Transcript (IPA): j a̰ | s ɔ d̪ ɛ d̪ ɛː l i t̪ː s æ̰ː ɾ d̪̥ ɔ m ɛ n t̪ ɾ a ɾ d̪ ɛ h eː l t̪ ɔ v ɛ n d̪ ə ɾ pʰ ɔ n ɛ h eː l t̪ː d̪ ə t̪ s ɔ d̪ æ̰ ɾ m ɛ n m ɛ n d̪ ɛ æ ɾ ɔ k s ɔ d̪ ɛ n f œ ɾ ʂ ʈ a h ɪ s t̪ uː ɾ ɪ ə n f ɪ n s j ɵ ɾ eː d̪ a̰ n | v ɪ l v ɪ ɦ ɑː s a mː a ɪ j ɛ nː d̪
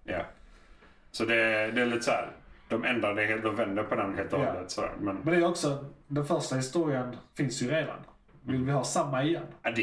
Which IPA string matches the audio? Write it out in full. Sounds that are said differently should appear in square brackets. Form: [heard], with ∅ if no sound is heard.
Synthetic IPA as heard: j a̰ | s ɔ d̪ ɛ d̪ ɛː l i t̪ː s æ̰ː ɾ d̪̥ ɔ m ɛ n [d̪] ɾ a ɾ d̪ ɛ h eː l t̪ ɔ v ɛ n d̪ ə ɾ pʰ ɔ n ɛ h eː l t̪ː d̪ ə t̪ s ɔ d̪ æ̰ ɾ m ɛ n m ɛ n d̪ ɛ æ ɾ ɔ k s ɔ d̪ ɛ n f œ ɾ ʂ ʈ a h ɪ s t̪ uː ɾ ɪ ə n f ɪ n s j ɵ ɾ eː d̪ a̰ n | v ɪ l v ɪ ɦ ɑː s a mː a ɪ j ɛ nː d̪